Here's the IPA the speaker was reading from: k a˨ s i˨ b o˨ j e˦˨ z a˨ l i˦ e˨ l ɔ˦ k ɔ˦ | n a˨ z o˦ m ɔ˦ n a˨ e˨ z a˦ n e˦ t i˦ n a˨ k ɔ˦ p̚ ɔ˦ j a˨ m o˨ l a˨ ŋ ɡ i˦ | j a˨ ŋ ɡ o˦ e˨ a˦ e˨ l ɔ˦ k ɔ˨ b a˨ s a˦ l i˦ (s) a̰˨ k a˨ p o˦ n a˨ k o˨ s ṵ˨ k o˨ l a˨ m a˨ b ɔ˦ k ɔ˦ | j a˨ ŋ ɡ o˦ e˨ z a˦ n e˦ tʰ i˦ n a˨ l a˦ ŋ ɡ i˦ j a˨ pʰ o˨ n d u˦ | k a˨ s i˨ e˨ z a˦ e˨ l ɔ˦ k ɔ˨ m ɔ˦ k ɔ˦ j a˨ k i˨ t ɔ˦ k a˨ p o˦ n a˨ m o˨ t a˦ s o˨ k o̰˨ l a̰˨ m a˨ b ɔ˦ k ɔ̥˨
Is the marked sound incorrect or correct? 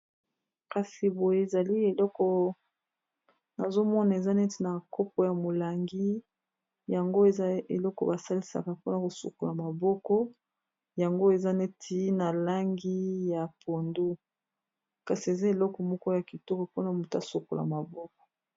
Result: correct